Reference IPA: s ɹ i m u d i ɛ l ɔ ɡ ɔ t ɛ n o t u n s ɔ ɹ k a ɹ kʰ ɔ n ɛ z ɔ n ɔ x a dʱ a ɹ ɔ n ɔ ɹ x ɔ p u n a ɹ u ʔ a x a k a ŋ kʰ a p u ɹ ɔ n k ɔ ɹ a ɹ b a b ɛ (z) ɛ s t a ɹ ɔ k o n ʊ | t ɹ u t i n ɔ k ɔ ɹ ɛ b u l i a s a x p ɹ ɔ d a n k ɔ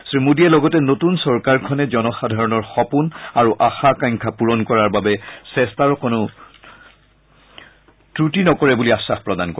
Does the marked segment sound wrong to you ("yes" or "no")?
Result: yes